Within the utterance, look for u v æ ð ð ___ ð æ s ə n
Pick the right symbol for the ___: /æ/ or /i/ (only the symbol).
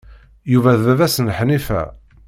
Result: æ